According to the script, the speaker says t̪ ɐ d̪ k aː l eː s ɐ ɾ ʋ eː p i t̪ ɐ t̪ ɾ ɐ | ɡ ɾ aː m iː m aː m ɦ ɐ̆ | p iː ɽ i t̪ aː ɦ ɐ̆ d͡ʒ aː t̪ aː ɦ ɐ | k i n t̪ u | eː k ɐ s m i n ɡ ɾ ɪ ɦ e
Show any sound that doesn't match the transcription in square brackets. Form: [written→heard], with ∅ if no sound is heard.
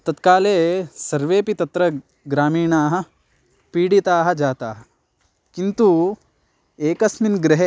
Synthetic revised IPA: t̪ ɐ [d̪→t̪] k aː l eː s ɐ ɾ ʋ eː p i t̪ ɐ t̪ ɾ ɐ | ɡ ɾ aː m iː [m→ɳ] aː [m→∅] ɦ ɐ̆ | p iː ɽ i t̪ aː ɦ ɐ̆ d͡ʒ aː t̪ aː ɦ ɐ | k i n t̪ u | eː k ɐ s m i n ɡ ɾ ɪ ɦ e